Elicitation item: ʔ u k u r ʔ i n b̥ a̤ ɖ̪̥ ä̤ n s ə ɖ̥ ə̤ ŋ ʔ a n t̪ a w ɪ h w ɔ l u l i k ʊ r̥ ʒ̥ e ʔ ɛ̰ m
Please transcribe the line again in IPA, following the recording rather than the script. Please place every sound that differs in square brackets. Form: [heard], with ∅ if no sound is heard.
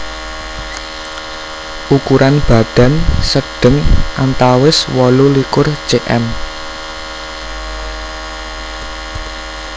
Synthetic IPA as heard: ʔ u k u [ɾ] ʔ [a] n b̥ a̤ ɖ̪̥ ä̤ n s ə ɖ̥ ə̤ ŋ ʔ a n t̪ a w ɪ [s] w ɔ l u l i k ʊ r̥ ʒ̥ e ʔ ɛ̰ m